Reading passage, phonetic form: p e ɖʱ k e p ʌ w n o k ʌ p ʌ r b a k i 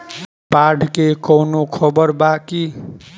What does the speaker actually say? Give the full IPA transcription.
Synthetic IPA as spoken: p a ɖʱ k e k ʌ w n o kʰ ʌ b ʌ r b a k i